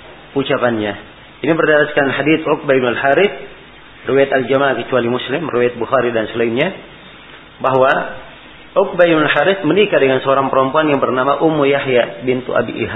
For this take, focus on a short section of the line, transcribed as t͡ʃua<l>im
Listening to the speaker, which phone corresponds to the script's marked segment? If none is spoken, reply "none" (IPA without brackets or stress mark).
l